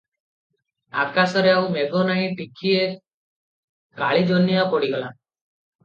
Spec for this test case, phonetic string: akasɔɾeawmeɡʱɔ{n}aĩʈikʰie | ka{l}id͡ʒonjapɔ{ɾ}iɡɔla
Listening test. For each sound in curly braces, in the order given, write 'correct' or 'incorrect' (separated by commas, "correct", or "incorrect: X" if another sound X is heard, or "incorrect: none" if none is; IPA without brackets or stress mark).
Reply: correct, incorrect: ɭ, incorrect: ɽ